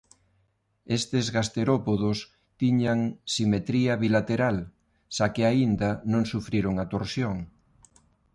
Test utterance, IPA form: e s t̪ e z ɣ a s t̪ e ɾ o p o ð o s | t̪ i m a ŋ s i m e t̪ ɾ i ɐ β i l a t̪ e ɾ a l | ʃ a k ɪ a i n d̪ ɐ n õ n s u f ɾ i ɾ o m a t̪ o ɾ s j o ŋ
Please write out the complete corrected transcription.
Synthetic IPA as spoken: e s t̪ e z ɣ a s t̪ e ɾ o p o ð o s | t̪ i ɲ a ŋ s i m e t̪ ɾ i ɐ β i l a t̪ e ɾ a l | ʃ a k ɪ a i n d̪ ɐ n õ ŋ s u f ɾ i ɾ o ŋ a t̪ o ɾ s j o ŋ